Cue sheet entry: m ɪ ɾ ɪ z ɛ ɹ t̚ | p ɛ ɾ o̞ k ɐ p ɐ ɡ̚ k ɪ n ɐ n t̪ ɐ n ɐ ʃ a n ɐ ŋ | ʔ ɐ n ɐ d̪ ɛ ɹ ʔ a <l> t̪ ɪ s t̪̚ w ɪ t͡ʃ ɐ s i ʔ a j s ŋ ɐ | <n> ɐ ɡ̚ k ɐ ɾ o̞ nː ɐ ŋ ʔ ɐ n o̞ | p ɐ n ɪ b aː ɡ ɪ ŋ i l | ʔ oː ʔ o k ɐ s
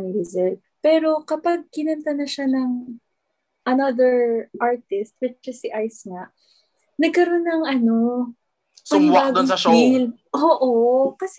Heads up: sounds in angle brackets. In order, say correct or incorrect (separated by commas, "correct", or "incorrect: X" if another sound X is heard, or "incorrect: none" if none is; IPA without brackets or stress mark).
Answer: incorrect: ɹ, correct